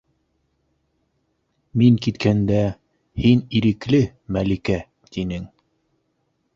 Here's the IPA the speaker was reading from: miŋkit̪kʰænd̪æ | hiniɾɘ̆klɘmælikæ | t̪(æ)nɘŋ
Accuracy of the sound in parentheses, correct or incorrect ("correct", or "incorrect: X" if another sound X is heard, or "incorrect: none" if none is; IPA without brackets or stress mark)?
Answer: incorrect: i